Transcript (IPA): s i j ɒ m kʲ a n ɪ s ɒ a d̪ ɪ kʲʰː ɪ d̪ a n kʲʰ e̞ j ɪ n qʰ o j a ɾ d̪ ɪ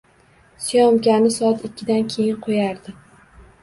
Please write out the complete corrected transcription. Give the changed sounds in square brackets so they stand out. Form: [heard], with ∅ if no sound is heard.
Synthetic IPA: s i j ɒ m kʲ a n ɪ s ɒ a [t̪] ɪ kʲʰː ɪ d̪ a n kʲʰ e̞ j ɪ n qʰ o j a ɾ d̪ ɪ